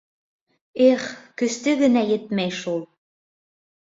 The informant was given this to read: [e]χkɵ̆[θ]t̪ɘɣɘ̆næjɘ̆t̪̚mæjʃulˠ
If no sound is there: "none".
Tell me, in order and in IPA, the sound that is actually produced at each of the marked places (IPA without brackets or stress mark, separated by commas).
e, s